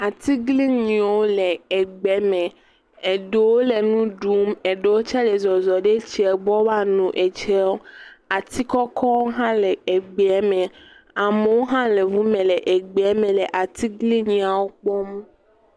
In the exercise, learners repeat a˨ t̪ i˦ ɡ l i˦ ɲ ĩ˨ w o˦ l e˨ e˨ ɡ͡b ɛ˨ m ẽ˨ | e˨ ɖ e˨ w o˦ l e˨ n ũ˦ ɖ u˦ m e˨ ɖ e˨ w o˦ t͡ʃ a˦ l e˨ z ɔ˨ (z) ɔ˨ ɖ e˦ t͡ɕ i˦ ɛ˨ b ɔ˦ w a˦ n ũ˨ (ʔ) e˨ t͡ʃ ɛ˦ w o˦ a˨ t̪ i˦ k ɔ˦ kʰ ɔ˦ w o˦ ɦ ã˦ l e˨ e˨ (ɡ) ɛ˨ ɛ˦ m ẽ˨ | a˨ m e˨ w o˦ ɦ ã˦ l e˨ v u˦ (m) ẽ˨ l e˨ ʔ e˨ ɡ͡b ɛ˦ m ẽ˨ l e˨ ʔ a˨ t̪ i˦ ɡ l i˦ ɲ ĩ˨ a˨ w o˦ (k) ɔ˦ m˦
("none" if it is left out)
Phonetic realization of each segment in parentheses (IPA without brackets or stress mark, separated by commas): z, ʔ, ɡ͡b, m, k͡p